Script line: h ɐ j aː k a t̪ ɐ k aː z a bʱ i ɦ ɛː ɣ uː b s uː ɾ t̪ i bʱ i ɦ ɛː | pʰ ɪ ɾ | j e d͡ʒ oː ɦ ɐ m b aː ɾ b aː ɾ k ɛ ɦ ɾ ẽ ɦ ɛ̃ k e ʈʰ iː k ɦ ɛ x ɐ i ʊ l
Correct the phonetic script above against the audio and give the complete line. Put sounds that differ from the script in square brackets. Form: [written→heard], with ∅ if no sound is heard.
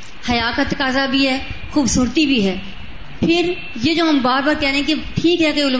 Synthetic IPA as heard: h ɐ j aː k a t̪ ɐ k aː z a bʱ i ɦ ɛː [ɣ→x] uː b s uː ɾ t̪ i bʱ i ɦ ɛː | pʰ ɪ ɾ | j e d͡ʒ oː ɦ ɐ m b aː ɾ b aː ɾ k ɛ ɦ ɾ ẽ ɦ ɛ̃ k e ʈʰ iː k ɦ ɛ [x→k] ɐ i ʊ l